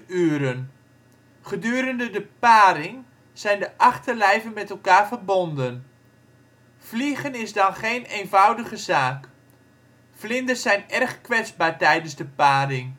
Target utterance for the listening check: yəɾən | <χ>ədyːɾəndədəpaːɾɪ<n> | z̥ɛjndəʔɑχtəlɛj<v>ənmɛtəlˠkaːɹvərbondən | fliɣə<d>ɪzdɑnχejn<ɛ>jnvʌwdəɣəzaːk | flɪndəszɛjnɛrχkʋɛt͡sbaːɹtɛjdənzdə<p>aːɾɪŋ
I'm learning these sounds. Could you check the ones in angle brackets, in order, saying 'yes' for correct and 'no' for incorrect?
yes, no, yes, no, no, yes

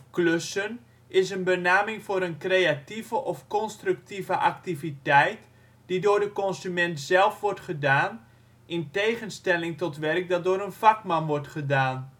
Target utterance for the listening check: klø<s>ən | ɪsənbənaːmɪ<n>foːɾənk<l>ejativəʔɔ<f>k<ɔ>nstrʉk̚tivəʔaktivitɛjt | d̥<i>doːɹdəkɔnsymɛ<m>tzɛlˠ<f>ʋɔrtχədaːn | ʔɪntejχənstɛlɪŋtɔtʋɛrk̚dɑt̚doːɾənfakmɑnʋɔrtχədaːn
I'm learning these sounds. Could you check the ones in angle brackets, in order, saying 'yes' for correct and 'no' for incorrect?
yes, no, no, yes, yes, yes, no, yes

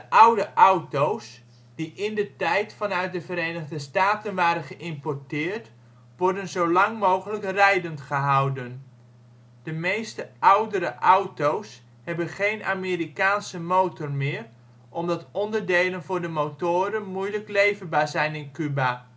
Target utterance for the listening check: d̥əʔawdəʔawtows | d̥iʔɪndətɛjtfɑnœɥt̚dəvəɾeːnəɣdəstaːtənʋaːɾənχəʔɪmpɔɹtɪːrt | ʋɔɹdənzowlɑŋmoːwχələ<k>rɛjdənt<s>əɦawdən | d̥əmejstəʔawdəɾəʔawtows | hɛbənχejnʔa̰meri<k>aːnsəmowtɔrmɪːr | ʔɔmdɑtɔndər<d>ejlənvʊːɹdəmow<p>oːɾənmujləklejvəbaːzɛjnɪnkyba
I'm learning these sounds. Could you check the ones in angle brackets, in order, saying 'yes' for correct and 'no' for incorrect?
yes, no, yes, yes, no

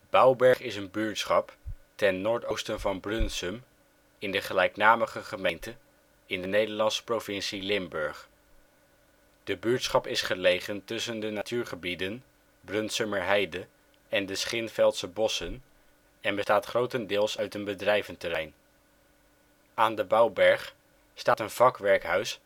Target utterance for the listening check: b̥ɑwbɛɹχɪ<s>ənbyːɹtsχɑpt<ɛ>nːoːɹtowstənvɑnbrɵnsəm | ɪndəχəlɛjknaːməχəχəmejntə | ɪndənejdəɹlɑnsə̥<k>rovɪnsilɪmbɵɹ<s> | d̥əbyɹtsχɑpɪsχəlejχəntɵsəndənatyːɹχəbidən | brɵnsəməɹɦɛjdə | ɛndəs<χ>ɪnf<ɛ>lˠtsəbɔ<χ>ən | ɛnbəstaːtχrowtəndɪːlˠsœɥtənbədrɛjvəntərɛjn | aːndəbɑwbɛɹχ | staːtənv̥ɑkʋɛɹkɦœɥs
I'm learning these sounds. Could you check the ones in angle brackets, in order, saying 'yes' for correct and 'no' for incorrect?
yes, yes, no, no, yes, yes, no

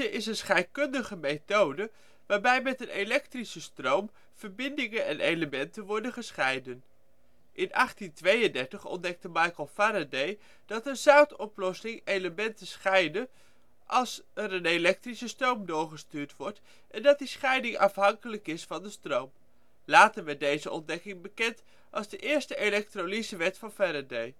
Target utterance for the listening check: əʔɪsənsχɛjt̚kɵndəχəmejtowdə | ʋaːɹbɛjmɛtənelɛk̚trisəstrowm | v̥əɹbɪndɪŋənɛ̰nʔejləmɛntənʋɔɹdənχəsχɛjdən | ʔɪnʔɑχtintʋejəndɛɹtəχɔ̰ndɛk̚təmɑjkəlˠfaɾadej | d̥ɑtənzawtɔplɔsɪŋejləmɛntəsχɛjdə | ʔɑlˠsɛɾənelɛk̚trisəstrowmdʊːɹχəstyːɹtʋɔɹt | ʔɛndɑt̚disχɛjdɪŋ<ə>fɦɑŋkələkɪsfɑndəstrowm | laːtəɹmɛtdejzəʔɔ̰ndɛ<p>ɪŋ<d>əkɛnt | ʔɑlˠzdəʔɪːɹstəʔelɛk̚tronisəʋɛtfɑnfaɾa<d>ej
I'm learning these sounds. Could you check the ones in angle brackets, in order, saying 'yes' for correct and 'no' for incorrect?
no, no, no, yes

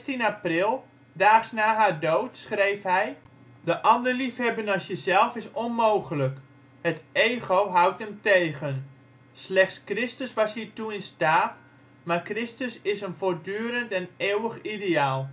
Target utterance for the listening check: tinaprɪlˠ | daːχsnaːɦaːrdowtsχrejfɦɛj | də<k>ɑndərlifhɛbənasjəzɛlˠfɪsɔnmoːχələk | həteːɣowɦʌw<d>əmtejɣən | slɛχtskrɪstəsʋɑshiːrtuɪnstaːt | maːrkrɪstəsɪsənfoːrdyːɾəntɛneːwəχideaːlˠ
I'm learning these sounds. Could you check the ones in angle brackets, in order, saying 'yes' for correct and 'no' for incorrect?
no, no

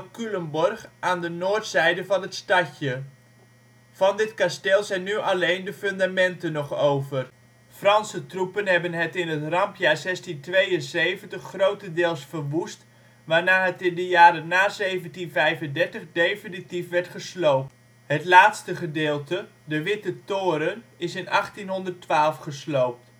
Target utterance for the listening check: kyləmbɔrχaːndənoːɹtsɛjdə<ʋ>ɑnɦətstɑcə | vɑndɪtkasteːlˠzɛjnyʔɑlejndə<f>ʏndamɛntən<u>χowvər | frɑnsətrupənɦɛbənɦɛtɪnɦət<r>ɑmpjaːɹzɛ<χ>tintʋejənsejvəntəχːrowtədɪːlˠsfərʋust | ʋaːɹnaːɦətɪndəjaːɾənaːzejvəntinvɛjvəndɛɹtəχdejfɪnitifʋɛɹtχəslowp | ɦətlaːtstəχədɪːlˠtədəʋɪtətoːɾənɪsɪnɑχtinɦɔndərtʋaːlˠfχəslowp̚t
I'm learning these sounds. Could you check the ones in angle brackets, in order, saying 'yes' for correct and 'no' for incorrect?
no, yes, no, yes, no

